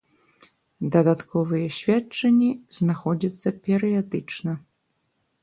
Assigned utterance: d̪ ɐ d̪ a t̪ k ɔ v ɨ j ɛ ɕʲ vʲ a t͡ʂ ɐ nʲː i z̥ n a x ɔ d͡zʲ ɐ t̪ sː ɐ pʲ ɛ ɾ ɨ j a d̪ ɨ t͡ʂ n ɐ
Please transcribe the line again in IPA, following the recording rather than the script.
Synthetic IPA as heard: d̪ ɐ d̪ a t̪ k ɔ v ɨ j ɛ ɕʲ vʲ a t͡ʂ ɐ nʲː i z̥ n a x ɔ d͡zʲ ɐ t̪ sː ɐ pʲ ɛ ɾ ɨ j a d̪ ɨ t͡ʂ n ɐ

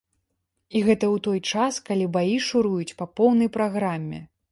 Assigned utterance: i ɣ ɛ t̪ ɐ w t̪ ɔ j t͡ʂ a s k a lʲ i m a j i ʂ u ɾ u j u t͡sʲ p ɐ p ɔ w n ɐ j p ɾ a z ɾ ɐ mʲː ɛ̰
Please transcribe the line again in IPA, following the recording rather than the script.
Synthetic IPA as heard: i ɣ ɛ t̪ ɐ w t̪ ɔ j t͡ʂ a s k a lʲ i b a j i ʂ u ɾ u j u t͡sʲ p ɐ p ɔ w n ɐ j p ɾ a ɣ ɾ a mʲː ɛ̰

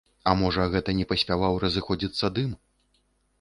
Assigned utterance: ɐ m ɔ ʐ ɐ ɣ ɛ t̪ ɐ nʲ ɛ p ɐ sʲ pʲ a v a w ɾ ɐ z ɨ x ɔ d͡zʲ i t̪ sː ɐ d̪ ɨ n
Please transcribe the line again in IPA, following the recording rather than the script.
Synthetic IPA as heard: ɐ m ɔ ʐ ɐ ɣ ɛ t̪ ɐ nʲ ɛ p ɐ sʲ pʲ a v a w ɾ ɐ z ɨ x ɔ d͡zʲ i t̪ sː ɐ d̪ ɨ m

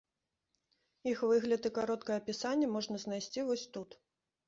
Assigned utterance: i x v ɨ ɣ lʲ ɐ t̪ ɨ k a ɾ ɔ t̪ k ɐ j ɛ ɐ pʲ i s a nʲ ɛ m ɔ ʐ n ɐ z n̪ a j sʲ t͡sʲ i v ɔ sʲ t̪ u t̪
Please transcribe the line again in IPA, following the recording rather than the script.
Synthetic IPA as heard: i x v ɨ ɣ lʲ ɐ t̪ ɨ k a ɾ ɔ t̪ k ɐ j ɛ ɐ pʲ i s a nʲː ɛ m ɔ ʐ n ɐ z n̪ a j sʲ t͡sʲ i v ɔ sʲ t̪ u t̪

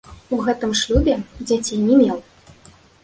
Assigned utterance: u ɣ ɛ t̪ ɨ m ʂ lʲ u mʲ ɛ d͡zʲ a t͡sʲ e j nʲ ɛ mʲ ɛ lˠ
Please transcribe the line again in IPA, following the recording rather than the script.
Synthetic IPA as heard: u ɣ ɛ t̪ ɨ m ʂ lʲ u bʲ ɛ d͡zʲ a t͡sʲ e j nʲ ɛ mʲ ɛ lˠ

